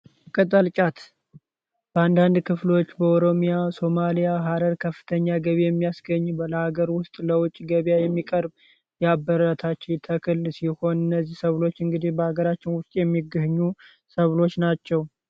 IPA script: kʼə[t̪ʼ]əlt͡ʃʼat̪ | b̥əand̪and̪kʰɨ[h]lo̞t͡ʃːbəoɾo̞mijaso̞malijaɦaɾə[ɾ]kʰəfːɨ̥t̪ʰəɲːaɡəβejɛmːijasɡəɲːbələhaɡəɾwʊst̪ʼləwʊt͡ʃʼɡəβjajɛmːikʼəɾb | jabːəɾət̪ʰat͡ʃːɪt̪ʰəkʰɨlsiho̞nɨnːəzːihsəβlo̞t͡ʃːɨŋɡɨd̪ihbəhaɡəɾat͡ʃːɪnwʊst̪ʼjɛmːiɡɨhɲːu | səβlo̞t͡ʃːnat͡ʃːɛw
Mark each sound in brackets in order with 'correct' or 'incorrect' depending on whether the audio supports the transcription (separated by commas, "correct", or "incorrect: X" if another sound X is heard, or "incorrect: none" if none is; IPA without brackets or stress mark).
correct, incorrect: f, correct